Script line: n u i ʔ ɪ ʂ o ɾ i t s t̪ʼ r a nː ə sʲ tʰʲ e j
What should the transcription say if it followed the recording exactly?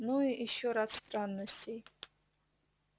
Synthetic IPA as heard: n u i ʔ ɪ ʃ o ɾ a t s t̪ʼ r a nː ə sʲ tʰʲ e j